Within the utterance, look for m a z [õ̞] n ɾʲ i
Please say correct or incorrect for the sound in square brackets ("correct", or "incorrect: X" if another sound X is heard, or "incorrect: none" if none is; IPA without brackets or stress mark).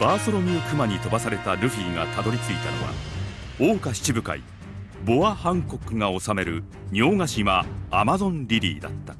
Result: correct